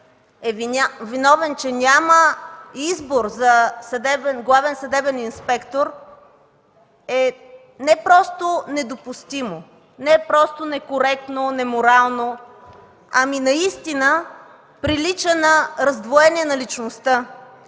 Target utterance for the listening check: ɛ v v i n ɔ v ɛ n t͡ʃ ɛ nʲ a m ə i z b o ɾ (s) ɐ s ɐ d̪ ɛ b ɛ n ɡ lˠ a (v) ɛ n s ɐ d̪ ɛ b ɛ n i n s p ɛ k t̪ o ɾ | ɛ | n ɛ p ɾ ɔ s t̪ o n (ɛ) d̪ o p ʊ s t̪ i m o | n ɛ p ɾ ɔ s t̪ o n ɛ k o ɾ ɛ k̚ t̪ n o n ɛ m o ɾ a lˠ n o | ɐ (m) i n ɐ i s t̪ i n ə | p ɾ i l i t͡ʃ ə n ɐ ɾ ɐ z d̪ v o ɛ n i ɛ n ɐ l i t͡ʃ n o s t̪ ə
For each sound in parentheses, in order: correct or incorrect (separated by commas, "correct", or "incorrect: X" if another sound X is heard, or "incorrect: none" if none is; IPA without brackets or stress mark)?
incorrect: z, correct, correct, correct